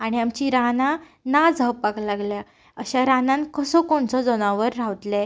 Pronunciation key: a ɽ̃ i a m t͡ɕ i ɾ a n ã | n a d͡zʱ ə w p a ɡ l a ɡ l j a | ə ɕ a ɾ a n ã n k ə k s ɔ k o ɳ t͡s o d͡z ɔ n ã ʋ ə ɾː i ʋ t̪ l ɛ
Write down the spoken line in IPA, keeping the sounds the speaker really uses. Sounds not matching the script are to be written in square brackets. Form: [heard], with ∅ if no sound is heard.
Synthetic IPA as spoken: a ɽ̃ i a m t͡ɕ i ɾ a n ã | n a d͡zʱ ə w p a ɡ l a ɡ l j a | ə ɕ a ɾ a n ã n k ə [∅] s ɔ k o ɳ t͡s [ɔ] d͡z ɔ n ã ʋ ə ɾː [a] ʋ t̪ l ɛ

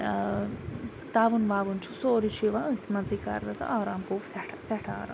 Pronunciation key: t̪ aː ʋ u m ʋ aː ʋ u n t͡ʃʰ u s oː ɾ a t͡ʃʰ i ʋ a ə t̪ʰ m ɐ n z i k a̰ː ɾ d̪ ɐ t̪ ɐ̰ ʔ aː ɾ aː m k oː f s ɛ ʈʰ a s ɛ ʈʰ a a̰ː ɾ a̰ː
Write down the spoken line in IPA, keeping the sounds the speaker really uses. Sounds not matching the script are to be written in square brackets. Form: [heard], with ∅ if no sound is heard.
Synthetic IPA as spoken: t̪ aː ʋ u [n] ʋ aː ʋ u n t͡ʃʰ u s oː ɾ [i] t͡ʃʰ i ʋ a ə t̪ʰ m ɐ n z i k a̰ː ɾ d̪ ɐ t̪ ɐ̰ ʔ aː ɾ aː m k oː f s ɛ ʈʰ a s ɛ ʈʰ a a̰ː ɾ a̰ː

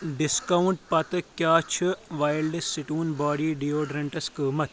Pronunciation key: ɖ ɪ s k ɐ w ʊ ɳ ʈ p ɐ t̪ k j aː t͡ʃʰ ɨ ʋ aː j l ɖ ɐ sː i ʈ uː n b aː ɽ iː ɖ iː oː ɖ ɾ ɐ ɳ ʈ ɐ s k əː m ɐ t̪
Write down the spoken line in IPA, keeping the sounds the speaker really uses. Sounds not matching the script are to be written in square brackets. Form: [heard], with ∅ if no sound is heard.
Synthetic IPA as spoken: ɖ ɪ s k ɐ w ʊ ɳ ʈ p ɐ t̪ k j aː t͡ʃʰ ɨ ʋ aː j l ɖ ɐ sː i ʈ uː n b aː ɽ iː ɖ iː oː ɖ ɾ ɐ ɳ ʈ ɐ s k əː m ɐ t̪

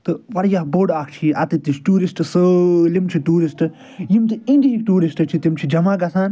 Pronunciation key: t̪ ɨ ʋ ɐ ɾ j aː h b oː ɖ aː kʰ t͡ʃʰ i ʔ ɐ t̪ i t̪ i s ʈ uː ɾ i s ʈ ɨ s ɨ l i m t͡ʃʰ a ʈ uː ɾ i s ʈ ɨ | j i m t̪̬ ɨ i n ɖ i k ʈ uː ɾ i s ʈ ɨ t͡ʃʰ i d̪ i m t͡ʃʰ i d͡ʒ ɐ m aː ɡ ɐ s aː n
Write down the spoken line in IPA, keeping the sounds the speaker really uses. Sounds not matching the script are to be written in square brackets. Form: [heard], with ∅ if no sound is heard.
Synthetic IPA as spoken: t̪ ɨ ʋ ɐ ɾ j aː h b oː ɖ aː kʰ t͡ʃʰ i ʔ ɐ t̪ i t̪ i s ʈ uː ɾ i s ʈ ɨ s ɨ l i m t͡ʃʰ [i] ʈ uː ɾ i s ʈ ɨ | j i m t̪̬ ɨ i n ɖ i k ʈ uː ɾ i s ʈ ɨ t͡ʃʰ i [t̪] i m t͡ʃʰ i d͡ʒ ɐ m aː ɡ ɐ s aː n

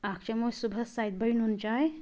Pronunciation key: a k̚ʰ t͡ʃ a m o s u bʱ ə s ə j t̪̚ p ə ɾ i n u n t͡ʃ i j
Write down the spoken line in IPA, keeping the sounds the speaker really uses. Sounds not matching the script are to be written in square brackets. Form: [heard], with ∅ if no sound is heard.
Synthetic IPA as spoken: a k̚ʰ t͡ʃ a m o s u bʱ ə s [a] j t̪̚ [b] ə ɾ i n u n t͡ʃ [a] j

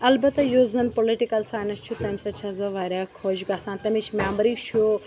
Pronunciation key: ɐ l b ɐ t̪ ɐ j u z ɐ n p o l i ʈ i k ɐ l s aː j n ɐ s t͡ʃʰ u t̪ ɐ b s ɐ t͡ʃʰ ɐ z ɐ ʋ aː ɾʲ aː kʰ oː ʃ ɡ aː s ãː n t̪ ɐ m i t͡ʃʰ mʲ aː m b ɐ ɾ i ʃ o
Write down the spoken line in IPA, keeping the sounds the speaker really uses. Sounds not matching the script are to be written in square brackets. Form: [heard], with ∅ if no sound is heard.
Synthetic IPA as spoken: ɐ l b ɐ t̪ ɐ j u z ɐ n p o l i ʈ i k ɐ l s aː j n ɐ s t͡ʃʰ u t̪ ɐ [m] s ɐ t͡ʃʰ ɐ z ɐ ʋ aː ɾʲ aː kʰ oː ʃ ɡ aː s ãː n t̪ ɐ m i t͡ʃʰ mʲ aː m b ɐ ɾ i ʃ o

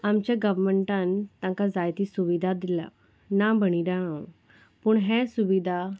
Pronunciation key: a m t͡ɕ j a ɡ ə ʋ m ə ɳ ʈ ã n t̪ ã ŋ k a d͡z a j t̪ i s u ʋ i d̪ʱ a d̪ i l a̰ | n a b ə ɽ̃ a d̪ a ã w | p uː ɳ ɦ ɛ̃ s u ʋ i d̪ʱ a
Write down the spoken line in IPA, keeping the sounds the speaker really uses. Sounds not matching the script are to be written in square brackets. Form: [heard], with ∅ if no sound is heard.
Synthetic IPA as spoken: a m t͡ɕ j a ɡ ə ʋ m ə ɳ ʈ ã n t̪ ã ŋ k a d͡z a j t̪ i s u ʋ i d̪ʱ a d̪ i l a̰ | n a b ə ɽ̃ [i] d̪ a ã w | p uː ɳ ɦ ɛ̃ s u ʋ i d̪ʱ a

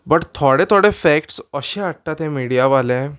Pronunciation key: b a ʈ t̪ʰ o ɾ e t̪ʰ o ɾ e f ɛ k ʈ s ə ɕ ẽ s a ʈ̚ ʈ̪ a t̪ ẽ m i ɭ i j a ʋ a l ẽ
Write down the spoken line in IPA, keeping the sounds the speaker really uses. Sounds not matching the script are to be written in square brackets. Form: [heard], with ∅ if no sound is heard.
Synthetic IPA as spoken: b [ə] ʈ t̪ʰ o [ɽ] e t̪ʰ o [ɽ] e f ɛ k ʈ s ə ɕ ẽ [∅] a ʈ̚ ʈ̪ a t̪ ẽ m i [ɽ] i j a ʋ a l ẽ

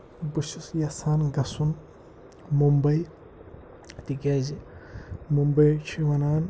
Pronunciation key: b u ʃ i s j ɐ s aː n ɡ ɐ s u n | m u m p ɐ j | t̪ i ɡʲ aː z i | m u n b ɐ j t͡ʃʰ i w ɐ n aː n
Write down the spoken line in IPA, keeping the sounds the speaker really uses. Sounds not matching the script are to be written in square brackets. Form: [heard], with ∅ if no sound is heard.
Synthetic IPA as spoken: b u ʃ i s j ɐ s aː n ɡ ɐ s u n | m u m [b] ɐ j | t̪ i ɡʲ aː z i | m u [m] b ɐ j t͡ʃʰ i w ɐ n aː n

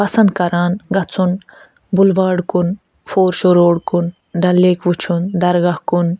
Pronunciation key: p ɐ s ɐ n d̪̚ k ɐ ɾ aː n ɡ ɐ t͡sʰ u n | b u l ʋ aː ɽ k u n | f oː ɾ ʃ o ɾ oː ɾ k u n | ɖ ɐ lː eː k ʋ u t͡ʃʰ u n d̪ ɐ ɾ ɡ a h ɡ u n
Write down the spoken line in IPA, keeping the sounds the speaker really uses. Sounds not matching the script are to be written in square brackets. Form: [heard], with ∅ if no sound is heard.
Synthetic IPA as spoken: p ɐ s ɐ n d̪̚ k ɐ ɾ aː n ɡ ɐ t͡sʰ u n | b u l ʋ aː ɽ k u n | f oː ɾ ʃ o ɾ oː [ɽ] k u n | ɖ ɐ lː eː k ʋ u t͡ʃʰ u n d̪ ɐ ɾ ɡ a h [k] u n

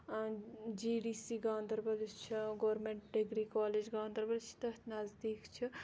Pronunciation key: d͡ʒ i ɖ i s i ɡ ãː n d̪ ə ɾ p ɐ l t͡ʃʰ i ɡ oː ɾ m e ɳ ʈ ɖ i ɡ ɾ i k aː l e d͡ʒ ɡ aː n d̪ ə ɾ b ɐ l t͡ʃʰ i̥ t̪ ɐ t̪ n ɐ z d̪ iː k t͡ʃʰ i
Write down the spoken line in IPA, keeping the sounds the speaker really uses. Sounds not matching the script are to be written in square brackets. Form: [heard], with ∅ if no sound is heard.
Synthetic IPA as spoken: d͡ʒ i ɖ i s i ɡ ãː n d̪ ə ɾ [b] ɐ l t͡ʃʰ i ɡ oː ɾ m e ɳ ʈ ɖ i ɡ ɾ i k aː l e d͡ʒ ɡ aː n d̪ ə ɾ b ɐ l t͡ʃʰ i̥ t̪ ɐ t̪ n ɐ z d̪ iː k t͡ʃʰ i

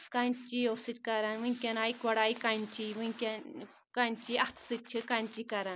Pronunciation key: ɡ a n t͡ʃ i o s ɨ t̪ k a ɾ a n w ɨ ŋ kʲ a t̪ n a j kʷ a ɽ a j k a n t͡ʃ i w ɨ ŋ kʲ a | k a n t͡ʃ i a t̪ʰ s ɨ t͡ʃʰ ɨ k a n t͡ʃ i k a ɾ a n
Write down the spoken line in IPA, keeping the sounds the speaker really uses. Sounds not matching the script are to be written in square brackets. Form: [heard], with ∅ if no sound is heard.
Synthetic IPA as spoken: [k] a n t͡ʃ i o s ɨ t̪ k a ɾ a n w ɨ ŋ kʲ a [∅] n a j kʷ a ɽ a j k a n t͡ʃ i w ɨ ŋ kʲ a | k a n t͡ʃ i a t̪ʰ s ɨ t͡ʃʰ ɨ k a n t͡ʃ i k a ɾ a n

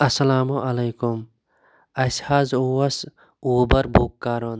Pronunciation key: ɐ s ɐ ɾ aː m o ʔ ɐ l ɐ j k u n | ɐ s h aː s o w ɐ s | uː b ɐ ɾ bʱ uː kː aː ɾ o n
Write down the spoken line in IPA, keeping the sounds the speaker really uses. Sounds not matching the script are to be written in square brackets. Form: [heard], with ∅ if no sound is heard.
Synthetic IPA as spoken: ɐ s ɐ [l] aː m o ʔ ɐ l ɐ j k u [m] | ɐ s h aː [z] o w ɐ s | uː b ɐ ɾ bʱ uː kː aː ɾ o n

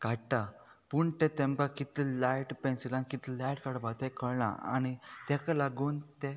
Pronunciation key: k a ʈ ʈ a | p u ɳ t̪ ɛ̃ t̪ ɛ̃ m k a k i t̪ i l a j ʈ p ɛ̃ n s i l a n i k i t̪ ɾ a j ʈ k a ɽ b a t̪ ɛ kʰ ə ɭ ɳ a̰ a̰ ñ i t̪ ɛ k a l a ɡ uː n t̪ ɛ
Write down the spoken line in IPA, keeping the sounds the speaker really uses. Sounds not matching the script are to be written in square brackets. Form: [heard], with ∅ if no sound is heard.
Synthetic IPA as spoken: k a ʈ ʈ a | p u ɳ t̪ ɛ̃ t̪ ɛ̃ m k a k i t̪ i l a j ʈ p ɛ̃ n s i l a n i k i t̪ [l] a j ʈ k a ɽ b a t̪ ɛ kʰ ə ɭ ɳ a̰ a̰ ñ i t̪ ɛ k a l a ɡ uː n t̪ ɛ

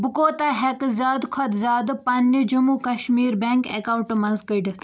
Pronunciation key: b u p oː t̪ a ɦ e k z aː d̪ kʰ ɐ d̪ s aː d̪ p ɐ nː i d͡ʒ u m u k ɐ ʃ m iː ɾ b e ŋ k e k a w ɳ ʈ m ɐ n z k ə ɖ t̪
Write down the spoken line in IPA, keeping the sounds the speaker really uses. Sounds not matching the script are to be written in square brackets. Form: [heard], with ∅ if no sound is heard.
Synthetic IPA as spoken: b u [k] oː t̪ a ɦ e k z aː d̪ kʰ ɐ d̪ [z] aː d̪ p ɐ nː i d͡ʒ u m u k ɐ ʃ m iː ɾ b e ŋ k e k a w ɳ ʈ m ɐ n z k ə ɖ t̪

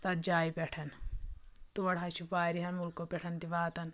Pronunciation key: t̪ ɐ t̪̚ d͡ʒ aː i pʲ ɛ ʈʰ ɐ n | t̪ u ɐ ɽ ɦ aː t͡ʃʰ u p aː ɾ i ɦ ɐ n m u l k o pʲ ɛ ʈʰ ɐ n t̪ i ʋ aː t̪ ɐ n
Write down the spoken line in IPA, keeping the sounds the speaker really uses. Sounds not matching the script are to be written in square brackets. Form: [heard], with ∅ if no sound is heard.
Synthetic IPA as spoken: t̪ ɐ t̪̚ d͡ʒ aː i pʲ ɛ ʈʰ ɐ n | t̪ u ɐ ɽ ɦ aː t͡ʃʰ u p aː ɾ i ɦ ɐ n m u l k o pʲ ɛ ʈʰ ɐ n t̪ i ʋ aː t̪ ɐ n

